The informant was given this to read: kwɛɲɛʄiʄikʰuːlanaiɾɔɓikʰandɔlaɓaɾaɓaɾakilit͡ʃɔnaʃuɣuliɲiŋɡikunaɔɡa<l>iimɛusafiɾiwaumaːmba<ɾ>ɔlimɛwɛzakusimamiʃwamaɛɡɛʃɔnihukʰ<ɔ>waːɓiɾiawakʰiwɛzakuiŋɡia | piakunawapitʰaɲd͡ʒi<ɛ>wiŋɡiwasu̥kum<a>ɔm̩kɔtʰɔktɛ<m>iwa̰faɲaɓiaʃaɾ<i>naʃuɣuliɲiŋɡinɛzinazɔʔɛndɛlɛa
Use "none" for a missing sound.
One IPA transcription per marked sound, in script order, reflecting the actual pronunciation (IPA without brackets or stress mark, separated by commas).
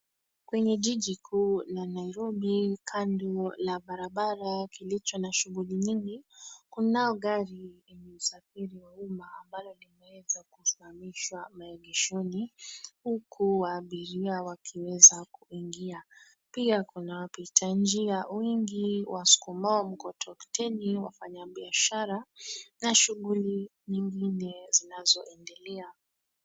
ɾ, l, u, a, a, n, a